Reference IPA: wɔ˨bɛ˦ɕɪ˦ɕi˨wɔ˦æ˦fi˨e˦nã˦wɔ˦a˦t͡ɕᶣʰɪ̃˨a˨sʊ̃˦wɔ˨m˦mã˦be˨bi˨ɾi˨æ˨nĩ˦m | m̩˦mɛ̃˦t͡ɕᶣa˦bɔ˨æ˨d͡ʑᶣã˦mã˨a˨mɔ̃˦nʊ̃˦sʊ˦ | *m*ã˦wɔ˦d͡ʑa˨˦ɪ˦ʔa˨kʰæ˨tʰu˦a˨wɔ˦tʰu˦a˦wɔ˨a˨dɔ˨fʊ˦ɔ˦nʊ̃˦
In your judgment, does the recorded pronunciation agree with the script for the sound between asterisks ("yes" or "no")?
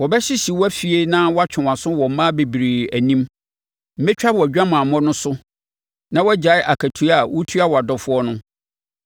no